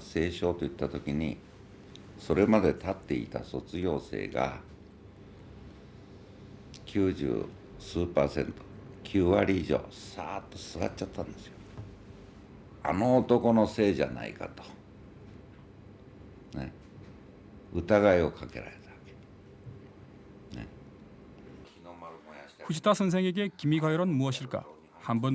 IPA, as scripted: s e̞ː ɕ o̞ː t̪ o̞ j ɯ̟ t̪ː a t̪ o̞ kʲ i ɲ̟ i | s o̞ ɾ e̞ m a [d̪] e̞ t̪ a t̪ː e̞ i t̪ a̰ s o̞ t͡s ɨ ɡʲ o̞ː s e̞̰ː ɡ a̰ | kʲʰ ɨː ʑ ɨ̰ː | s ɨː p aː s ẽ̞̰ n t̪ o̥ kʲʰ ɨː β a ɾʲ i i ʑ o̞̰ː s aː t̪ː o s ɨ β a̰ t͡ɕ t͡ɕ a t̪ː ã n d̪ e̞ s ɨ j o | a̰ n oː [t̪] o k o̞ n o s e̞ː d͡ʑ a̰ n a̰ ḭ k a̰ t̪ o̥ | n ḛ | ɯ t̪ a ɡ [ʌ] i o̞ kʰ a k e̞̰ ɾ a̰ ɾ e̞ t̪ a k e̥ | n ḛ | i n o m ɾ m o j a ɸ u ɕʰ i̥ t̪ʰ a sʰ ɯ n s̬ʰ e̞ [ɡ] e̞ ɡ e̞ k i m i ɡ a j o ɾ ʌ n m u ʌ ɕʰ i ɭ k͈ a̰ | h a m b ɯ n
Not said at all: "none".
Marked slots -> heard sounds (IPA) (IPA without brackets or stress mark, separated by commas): d̪, t̪, a, ŋ